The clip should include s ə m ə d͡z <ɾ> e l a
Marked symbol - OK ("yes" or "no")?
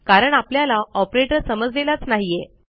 no